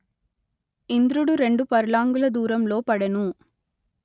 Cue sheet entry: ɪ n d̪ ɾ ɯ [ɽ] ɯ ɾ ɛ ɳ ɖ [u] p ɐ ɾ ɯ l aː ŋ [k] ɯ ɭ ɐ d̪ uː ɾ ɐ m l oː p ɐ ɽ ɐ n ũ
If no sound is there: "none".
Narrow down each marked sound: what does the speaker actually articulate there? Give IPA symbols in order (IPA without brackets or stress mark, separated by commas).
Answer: ɽ, ɯ, ɡ